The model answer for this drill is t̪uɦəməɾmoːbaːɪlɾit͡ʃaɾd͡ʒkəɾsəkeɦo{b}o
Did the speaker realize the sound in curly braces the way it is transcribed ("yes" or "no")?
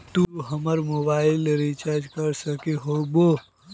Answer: yes